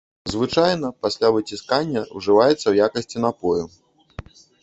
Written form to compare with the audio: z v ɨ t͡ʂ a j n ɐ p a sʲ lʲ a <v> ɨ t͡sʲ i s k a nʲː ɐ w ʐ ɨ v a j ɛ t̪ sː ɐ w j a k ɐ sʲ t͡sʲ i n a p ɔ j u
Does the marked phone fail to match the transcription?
no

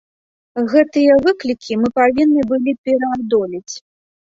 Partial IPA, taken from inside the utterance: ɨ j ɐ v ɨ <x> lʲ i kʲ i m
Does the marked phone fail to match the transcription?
yes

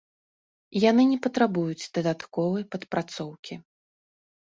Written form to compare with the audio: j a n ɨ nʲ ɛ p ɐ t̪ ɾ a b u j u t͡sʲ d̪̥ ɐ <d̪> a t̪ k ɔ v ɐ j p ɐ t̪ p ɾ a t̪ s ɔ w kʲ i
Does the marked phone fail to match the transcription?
no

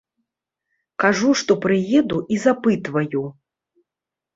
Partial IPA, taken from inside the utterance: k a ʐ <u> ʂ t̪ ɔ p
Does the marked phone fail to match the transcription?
no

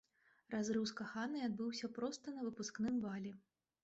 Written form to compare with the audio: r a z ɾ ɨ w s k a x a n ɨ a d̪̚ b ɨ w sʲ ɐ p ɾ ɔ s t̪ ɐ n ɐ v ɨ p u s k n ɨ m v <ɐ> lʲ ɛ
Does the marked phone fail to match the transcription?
yes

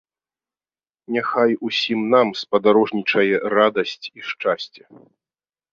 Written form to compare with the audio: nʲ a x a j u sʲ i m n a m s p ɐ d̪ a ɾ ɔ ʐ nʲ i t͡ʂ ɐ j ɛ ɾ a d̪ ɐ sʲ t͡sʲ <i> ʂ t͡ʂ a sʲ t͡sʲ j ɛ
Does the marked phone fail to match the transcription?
no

